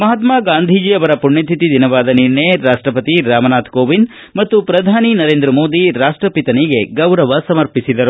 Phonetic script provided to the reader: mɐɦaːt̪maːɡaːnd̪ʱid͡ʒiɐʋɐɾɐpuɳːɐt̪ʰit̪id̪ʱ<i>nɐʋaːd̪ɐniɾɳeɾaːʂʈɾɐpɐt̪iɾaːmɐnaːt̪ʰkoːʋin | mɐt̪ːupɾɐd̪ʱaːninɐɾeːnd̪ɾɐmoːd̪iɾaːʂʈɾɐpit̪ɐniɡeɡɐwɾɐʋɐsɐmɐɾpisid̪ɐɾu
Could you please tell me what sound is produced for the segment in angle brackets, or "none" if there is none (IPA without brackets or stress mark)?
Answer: i